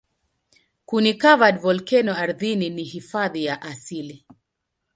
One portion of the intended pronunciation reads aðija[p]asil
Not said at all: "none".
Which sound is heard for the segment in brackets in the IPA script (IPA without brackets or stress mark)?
ʔ